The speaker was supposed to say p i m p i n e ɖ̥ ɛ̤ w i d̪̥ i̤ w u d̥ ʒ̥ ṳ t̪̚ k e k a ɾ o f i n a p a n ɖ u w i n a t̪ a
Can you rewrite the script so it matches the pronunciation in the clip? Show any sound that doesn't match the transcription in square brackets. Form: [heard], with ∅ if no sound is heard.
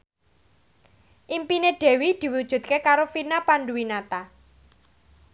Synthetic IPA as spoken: [ʔ] i m p i n e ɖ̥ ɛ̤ w i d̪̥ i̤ w u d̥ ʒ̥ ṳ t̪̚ k e k a ɾ o f i n a p a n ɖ u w i n a t̪ a